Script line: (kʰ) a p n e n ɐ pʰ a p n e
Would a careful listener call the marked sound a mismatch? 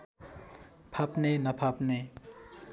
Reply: yes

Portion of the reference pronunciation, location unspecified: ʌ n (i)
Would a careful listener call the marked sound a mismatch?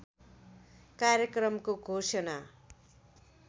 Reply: yes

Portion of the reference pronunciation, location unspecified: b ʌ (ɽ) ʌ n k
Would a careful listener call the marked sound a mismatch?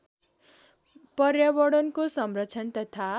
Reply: no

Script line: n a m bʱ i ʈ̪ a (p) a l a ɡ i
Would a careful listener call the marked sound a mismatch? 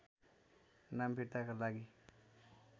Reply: yes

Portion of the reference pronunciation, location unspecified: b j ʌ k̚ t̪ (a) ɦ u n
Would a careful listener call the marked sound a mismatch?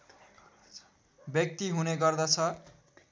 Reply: yes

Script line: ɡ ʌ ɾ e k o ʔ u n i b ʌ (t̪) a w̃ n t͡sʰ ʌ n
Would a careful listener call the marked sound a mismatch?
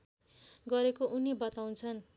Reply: no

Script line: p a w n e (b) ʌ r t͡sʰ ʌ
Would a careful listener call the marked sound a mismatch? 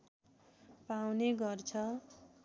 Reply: yes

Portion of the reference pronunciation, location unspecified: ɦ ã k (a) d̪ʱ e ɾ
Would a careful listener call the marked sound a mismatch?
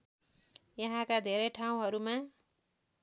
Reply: no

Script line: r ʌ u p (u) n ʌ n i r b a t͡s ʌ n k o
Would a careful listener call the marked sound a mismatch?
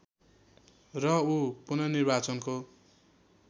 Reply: no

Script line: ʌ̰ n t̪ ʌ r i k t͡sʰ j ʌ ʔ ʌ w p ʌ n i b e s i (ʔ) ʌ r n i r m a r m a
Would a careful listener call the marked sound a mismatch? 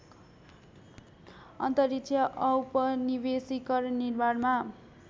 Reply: yes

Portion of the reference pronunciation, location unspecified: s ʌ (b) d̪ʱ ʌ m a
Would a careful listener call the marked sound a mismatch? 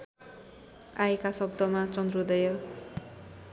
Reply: no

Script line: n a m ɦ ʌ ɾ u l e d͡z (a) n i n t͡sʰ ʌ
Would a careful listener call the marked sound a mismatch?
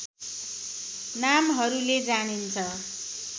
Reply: no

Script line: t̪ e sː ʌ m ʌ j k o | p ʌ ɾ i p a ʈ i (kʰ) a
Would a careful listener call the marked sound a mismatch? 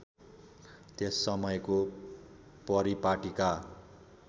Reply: yes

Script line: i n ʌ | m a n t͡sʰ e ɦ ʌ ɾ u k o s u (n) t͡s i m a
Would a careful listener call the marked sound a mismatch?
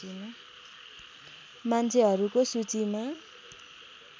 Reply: yes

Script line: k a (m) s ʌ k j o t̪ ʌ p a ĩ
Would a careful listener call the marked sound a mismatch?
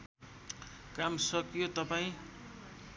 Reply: no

